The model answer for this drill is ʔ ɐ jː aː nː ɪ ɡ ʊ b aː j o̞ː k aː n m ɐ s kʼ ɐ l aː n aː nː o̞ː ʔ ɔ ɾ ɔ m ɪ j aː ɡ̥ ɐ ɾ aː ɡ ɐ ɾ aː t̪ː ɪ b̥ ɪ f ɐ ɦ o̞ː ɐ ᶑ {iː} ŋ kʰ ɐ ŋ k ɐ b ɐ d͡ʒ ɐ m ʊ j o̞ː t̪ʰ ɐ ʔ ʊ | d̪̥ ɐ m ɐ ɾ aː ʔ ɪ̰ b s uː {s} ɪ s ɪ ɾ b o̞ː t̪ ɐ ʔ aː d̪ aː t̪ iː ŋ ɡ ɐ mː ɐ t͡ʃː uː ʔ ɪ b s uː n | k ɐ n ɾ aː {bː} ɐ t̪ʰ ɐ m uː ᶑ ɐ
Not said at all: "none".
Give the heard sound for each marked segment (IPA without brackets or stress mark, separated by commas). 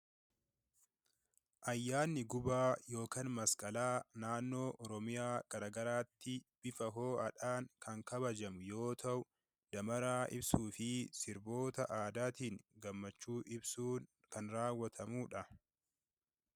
aː, f, wː